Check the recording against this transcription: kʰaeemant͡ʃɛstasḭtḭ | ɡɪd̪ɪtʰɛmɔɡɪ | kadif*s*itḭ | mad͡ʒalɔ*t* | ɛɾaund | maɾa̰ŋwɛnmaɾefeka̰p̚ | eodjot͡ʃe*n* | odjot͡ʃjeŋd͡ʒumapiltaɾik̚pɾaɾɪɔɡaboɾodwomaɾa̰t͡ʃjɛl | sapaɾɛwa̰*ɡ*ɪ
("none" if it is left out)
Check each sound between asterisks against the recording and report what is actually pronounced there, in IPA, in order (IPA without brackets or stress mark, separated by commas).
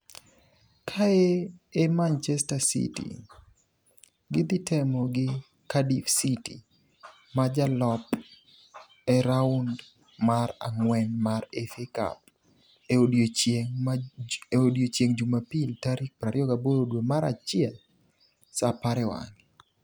s, p, ŋ, ŋ